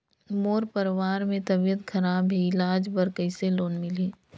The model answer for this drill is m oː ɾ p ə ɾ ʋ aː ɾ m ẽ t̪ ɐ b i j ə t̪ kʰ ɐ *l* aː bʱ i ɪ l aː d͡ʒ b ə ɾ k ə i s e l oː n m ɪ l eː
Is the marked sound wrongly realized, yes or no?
yes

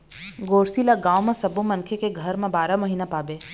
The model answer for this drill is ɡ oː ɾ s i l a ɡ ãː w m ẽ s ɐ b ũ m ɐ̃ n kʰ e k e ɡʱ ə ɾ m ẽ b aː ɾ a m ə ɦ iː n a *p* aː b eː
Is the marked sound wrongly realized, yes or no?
no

